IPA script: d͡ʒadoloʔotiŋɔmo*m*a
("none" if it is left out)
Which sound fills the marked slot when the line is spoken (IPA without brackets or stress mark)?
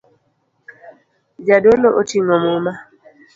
m